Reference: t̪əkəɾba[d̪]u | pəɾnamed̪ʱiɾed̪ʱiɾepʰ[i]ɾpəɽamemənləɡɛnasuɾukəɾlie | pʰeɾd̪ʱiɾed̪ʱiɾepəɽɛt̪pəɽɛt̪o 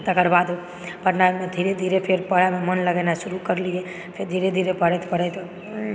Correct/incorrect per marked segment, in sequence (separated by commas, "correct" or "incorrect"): correct, incorrect